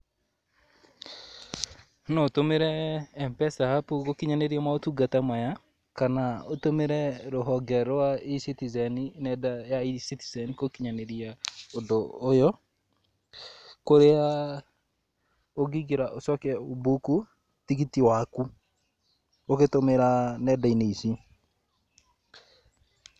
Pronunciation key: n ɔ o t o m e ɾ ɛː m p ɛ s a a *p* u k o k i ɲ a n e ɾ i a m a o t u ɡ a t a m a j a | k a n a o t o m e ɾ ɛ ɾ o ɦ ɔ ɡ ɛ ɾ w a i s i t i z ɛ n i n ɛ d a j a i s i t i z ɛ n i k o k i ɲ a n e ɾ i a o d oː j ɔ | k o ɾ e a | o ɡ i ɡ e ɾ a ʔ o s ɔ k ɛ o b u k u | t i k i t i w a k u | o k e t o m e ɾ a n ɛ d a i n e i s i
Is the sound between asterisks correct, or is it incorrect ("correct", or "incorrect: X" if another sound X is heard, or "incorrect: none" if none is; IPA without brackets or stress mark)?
correct